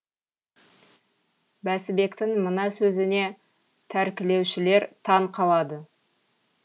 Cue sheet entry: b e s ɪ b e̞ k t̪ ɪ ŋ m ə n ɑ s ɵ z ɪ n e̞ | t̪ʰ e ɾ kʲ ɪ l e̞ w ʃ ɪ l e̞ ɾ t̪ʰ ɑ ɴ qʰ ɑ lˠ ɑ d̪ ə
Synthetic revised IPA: b æ s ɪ b e̞ k t̪ ɪ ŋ m ə n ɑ s ɵ z ɪ n e̞ | t̪ʰ æ ɾ kʲ ɪ l e̞ w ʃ ɪ l e̞ ɾ t̪ʰ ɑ ɴ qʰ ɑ lˠ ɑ d̪ ə